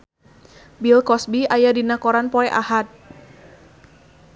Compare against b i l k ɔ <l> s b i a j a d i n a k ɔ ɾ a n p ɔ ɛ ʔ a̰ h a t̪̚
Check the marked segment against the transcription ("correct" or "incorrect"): incorrect